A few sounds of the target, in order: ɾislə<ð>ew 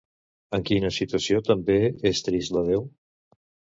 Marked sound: correct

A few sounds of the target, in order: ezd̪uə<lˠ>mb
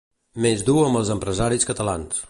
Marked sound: incorrect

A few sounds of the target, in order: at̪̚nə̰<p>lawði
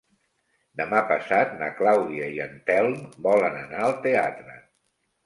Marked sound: incorrect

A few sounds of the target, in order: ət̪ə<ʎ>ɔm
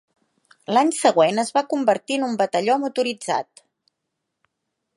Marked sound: correct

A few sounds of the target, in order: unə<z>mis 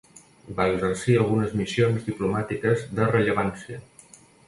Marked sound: correct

